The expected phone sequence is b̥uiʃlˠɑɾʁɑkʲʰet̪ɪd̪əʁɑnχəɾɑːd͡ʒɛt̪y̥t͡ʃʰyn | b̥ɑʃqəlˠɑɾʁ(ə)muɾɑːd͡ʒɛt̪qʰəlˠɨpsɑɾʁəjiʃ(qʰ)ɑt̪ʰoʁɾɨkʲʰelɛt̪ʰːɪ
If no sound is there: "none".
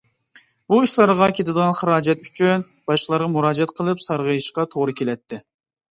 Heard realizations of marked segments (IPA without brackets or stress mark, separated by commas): ɑ, q